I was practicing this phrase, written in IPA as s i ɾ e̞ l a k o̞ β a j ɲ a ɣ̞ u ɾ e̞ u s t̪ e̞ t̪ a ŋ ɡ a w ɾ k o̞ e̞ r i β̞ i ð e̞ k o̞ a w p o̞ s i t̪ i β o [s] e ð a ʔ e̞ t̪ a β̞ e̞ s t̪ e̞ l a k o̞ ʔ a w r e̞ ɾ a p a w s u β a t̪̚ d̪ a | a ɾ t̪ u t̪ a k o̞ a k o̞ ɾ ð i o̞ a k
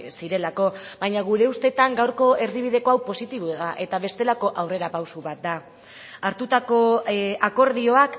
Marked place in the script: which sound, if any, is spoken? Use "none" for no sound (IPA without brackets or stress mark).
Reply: none